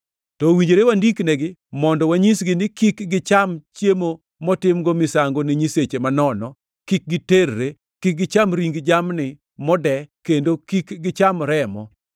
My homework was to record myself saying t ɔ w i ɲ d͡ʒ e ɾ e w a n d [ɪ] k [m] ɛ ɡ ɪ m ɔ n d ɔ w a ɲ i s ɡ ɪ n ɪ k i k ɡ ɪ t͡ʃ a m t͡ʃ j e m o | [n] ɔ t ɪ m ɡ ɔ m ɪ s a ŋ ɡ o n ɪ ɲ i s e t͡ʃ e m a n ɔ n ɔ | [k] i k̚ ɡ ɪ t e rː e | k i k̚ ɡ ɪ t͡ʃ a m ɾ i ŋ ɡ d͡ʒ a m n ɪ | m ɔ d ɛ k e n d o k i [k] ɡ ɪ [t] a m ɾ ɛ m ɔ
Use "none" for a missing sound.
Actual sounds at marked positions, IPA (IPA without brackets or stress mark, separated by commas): i, n, m, k, k, t͡ʃ